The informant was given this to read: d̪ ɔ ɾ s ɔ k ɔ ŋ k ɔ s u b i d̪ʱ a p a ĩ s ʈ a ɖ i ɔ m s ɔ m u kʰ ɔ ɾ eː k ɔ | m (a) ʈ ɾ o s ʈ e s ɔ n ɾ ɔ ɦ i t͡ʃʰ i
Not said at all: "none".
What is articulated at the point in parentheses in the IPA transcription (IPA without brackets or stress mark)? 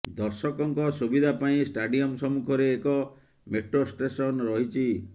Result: e